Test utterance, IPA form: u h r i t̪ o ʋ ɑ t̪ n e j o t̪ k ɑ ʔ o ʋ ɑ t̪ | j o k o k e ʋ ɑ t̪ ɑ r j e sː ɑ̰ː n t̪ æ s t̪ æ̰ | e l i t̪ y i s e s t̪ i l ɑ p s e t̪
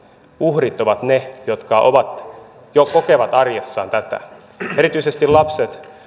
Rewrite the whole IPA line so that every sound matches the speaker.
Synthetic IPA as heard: u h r i t̪ o ʋ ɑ t̪ n e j o t̪ k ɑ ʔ o ʋ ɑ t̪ | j o k o k e ʋ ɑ t̪ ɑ r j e sː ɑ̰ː n t̪ æ t̪ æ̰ | e ɾ i t̪ y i s e s t̪ i l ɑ p s e t̪